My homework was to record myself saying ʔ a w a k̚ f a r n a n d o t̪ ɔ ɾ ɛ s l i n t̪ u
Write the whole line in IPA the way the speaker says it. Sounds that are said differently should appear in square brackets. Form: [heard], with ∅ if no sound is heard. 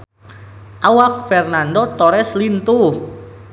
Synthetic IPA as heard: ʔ a w a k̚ f [ɛ] r n a n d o t̪ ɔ ɾ ɛ s l i n t̪ u